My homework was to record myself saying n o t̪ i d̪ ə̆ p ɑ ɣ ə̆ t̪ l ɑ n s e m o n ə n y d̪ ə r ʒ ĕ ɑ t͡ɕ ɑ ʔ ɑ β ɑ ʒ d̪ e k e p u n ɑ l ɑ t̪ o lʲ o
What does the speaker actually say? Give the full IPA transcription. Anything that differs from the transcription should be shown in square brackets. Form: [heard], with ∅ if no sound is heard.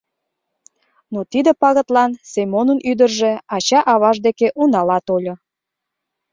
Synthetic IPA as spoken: n o t̪ i d̪ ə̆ p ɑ ɣ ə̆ t̪ l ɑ n s e m o n ə n y d̪ ə r ʒ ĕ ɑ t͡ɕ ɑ ʔ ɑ β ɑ ʒ d̪ e k e [ʔ] u n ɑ l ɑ t̪ o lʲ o